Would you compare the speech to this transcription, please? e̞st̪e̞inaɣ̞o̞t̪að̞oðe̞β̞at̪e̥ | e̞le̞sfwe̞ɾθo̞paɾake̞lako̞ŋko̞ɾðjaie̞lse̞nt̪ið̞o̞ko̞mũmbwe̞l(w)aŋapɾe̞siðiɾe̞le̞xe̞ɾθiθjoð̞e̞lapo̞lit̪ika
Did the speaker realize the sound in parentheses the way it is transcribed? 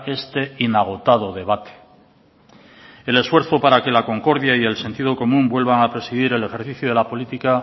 no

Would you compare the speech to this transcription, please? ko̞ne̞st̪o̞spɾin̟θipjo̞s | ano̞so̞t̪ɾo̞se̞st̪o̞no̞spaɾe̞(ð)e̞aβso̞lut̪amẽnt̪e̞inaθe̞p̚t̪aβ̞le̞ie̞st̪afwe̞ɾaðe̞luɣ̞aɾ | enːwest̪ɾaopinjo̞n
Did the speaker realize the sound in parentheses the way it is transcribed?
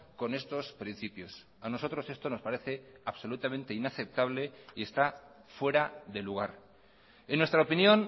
no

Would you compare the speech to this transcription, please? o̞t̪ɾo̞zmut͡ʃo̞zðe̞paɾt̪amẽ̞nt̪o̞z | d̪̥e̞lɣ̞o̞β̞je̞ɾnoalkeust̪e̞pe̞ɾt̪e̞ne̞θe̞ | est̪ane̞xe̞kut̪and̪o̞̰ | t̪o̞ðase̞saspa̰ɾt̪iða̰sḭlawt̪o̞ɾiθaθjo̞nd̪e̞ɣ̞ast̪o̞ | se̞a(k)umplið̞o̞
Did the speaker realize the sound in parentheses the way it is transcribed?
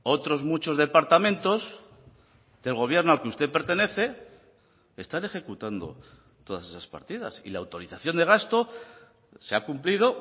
yes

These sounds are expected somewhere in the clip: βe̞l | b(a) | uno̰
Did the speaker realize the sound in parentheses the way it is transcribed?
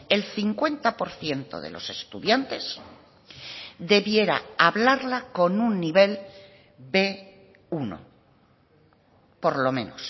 no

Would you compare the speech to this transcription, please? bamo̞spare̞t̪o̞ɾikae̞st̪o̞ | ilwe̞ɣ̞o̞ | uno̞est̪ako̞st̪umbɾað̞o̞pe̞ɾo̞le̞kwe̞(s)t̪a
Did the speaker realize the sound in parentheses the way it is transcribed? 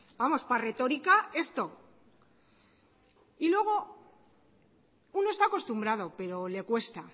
yes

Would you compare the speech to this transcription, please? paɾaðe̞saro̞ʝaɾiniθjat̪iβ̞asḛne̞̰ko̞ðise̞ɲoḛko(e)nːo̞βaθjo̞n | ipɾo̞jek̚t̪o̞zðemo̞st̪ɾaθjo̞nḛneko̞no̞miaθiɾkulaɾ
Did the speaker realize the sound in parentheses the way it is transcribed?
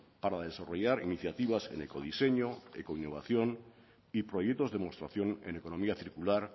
no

